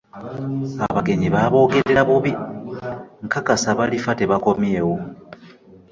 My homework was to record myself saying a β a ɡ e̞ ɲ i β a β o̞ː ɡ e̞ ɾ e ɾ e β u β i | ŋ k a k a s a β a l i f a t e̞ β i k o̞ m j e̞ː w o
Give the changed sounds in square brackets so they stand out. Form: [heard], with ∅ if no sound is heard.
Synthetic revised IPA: a β a ɡ e̞ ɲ i β a β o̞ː ɡ e̞ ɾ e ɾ [a] β u β i | ŋ k a k a s a β a l i f a t e̞ β [a] k o̞ m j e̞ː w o